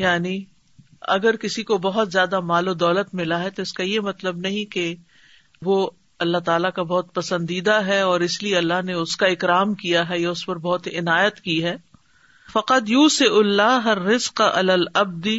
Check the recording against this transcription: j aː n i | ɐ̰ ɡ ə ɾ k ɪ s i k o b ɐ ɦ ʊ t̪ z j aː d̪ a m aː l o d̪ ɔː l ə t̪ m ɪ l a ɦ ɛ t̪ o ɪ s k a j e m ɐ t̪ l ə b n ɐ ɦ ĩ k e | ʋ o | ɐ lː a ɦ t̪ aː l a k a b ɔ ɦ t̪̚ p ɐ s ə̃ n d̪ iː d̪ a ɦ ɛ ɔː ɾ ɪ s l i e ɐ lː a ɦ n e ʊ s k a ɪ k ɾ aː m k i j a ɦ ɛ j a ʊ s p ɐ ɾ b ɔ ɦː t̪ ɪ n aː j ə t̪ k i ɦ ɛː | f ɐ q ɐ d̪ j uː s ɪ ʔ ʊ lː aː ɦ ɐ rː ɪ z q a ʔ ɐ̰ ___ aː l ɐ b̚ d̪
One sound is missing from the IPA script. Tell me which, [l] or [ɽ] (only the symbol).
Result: l